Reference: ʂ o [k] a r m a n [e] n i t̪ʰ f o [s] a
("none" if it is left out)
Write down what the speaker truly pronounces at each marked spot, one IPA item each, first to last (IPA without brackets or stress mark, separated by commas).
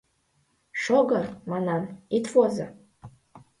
ɡ, a, z